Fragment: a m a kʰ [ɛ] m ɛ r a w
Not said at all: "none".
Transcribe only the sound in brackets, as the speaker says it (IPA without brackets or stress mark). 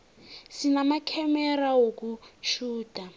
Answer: ɛ